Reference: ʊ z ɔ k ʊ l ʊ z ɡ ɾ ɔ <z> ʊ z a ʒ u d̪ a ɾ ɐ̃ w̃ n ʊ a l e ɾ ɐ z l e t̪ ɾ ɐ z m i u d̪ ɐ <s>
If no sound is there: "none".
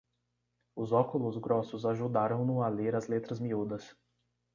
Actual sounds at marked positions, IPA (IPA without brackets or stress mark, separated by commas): s, s